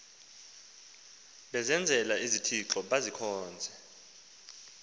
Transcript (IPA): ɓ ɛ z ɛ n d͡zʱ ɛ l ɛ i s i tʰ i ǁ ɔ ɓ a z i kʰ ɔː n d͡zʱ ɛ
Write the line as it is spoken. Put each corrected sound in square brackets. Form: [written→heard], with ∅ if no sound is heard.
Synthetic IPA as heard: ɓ ɛ z ɛ n d͡zʱ ɛ l [ɛ→a] i [s→z] i tʰ i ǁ ɔ ɓ a z i kʰ ɔː n d͡zʱ ɛ